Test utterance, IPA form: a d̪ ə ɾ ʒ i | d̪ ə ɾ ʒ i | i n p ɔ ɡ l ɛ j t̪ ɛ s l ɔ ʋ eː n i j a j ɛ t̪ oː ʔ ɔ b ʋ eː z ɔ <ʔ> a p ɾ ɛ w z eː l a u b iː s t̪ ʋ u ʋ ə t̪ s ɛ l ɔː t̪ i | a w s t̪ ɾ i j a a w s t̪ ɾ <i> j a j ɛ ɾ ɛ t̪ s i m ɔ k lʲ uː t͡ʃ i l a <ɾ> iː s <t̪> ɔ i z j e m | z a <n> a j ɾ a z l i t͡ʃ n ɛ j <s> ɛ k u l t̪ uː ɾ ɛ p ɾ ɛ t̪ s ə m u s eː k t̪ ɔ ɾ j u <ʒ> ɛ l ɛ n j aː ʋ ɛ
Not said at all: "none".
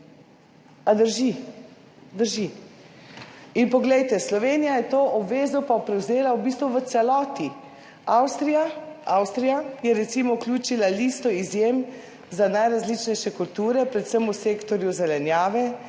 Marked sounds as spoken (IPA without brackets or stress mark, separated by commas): p, i, l, t̪, n, ʃ, z